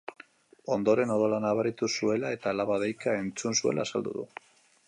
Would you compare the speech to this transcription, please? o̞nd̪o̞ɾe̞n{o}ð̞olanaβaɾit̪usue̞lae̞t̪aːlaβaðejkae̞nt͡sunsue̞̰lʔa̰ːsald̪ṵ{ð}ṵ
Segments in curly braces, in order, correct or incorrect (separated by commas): correct, correct